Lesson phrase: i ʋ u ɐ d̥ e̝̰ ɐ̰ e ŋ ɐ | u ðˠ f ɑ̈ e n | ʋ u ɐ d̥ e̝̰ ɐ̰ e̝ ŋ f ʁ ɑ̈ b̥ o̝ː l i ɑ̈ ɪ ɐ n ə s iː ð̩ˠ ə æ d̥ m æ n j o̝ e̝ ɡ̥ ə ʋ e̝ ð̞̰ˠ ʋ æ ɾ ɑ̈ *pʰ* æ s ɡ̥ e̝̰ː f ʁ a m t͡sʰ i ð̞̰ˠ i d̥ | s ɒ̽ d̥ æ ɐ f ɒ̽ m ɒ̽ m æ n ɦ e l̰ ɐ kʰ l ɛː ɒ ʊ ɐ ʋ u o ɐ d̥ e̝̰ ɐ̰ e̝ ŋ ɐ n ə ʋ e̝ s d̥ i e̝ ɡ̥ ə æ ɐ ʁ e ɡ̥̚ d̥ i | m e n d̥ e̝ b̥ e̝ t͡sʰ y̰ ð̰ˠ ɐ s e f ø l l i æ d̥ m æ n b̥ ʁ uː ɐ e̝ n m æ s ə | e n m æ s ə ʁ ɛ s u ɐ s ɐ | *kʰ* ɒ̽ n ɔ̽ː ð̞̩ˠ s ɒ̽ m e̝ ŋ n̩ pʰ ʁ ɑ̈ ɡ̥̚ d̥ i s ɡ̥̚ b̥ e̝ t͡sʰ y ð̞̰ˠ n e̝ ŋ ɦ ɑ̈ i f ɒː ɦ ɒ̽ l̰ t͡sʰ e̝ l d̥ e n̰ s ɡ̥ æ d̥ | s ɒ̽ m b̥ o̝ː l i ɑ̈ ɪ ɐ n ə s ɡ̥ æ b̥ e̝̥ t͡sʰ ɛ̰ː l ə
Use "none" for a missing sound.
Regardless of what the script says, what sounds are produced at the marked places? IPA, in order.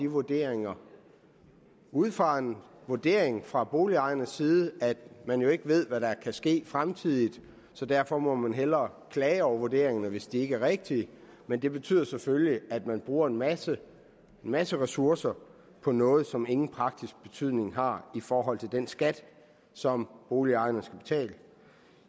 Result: kʰ, pʰ

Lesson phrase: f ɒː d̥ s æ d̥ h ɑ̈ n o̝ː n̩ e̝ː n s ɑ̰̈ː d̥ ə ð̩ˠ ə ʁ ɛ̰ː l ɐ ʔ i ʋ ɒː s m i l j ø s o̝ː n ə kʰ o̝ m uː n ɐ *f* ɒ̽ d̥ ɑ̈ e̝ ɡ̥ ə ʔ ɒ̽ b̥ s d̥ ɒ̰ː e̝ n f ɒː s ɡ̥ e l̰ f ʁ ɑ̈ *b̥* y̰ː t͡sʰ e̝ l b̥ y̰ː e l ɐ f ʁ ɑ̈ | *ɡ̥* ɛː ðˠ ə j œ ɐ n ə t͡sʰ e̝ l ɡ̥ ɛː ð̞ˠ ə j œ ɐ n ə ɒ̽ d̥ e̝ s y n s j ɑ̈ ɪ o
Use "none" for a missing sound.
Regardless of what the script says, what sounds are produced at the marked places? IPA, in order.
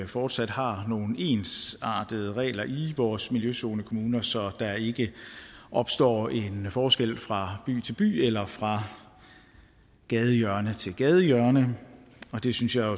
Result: s, b̥, ɡ̥

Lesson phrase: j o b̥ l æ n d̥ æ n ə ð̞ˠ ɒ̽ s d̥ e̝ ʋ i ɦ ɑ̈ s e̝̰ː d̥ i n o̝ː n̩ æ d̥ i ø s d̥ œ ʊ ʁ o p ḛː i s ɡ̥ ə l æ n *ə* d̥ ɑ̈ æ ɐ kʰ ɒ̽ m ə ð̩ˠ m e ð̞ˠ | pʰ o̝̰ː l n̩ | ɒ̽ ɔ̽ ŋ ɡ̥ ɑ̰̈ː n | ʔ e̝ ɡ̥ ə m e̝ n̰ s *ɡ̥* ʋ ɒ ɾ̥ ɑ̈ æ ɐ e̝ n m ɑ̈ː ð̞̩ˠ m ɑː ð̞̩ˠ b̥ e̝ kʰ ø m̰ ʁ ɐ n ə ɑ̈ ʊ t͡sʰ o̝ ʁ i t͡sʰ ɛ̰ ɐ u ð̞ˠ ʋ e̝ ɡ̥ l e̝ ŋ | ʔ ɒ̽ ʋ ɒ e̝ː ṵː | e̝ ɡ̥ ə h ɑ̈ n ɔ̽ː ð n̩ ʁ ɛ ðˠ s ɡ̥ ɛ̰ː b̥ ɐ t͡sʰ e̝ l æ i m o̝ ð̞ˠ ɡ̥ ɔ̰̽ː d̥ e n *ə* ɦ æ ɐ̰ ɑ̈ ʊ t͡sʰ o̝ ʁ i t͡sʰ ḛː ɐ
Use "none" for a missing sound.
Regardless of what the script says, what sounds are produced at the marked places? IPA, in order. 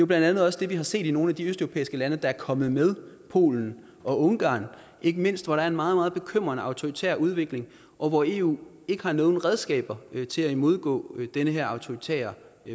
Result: ə, d̥, ə

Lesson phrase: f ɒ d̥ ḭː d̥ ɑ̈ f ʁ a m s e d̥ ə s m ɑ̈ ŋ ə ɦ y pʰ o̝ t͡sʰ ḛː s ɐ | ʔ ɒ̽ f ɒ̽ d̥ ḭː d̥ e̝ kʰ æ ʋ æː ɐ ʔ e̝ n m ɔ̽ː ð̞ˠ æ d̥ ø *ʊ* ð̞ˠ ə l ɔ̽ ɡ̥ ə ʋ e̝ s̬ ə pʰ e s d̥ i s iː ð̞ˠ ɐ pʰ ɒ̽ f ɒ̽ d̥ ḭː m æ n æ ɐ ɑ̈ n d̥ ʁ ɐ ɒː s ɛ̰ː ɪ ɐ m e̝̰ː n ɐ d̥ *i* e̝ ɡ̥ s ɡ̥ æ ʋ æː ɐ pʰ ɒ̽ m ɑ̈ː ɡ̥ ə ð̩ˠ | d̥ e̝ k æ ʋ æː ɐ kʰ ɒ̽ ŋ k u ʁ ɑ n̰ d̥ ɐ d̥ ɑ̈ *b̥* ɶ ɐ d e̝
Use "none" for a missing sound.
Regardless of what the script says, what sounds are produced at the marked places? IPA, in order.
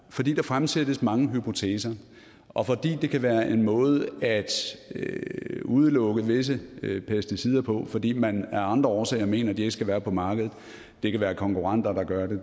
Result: u, i, ɡ̥

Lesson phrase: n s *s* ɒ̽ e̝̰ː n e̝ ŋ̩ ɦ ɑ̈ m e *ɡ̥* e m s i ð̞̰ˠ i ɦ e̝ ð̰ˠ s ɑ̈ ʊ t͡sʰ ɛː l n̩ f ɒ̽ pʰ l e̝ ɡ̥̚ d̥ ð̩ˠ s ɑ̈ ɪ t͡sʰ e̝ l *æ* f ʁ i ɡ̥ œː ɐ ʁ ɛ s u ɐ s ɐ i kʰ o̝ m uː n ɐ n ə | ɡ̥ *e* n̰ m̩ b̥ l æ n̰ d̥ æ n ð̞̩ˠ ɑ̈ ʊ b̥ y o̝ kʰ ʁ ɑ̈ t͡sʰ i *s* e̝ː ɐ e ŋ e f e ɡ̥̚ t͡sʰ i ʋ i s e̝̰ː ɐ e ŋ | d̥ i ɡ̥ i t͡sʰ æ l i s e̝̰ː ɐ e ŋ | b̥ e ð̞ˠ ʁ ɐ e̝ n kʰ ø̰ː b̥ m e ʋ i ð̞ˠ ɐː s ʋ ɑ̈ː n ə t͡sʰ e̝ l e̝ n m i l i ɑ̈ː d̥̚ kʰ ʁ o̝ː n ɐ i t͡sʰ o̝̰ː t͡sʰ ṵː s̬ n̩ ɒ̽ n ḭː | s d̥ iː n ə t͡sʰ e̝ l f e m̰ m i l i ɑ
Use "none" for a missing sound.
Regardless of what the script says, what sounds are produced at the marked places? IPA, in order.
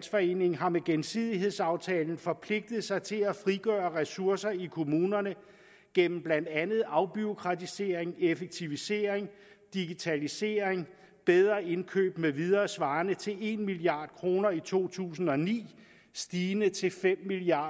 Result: f, ɡ̥, æ, e, s

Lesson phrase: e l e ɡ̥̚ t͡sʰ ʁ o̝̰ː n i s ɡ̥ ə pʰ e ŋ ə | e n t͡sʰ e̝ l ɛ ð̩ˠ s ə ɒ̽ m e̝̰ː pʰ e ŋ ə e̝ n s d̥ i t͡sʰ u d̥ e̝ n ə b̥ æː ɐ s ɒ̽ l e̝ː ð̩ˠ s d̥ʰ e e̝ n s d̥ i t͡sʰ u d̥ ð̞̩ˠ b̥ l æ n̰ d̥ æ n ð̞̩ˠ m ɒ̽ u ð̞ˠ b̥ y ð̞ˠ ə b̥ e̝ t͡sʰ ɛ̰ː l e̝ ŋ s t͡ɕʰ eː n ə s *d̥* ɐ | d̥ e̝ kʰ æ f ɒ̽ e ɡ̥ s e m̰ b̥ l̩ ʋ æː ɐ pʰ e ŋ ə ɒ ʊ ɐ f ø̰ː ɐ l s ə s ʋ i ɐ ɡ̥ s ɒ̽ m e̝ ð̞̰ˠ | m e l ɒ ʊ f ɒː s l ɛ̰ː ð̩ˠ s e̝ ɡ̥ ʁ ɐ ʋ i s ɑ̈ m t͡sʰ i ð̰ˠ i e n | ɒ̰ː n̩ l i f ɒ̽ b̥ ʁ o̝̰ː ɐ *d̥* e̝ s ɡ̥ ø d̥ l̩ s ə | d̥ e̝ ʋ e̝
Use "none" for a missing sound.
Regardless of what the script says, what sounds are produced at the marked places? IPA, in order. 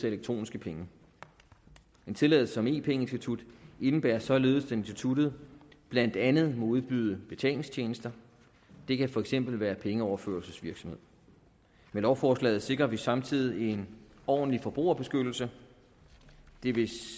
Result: d̥, b̥

